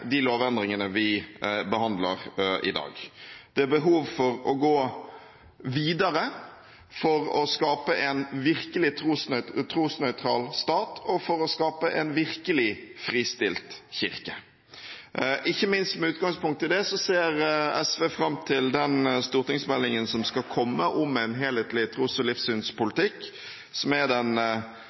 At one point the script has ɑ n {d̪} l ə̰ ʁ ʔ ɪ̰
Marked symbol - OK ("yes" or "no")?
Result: yes